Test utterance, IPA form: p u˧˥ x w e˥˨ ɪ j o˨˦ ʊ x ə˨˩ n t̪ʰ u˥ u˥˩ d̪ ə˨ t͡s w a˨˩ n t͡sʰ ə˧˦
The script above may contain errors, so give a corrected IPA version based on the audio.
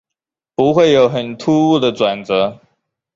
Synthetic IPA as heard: p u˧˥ x w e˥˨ ɪ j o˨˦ ʊ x ə˨˩ n t̪ʰ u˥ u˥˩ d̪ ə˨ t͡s w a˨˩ n t͡s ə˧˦